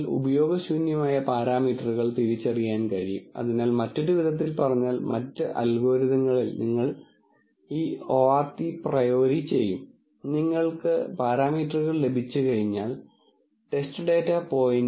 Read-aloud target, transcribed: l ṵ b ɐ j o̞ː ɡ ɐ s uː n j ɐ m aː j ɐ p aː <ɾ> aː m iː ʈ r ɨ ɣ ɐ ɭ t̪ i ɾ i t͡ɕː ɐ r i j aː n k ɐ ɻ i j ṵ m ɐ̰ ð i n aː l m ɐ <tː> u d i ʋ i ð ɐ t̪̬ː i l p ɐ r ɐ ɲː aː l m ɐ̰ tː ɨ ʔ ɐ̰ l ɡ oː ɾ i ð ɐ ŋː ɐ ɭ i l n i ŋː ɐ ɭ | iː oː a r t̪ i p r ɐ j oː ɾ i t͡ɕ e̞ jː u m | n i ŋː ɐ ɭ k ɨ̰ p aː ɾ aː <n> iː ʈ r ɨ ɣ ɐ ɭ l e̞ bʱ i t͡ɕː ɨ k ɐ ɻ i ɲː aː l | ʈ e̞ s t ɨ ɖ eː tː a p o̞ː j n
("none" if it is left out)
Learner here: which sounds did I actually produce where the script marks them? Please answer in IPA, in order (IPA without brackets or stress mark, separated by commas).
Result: ɾ, tː, m